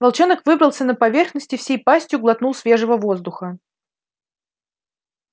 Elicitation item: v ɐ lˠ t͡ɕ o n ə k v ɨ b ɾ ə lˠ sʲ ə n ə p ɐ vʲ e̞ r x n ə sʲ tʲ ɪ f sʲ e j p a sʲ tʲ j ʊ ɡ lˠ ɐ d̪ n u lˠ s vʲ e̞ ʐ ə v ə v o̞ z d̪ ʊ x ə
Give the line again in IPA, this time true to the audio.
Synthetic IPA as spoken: v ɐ lˠ t͡ɕ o n ə k v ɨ b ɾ ə lˠ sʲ ə n ə p ɐ vʲ e̞ r x n ə sʲ tʲ ɪ f sʲ e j p a sʲ tʲ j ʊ ɡ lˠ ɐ t̪ n u lˠ s vʲ e̞ ʐ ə v ə v o̞ z d̪ ʊ x ə